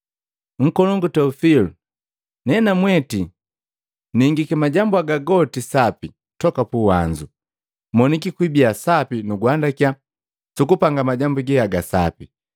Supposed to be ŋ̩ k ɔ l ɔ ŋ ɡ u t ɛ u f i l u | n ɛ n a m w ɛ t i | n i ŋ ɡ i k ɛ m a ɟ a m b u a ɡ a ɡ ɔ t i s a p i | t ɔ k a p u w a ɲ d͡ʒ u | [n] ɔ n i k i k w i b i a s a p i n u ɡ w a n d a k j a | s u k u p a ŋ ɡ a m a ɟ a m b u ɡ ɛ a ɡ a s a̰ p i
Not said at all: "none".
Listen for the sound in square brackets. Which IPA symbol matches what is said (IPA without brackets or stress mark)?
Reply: m